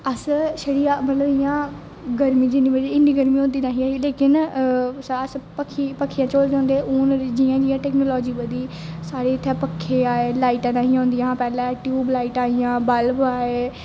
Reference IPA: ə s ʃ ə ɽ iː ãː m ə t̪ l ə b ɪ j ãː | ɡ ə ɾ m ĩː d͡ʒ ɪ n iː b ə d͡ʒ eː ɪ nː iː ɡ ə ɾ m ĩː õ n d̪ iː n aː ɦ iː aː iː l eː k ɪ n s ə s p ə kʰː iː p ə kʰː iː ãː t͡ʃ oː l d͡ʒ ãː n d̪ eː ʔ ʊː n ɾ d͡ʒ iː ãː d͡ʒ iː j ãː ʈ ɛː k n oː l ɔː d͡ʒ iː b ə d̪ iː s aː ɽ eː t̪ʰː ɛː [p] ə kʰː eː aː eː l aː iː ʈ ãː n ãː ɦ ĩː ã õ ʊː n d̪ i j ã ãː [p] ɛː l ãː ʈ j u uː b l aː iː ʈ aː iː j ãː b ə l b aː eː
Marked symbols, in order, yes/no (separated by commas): yes, yes